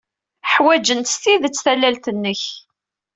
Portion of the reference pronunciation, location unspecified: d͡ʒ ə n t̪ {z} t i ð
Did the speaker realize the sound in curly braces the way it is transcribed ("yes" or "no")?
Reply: no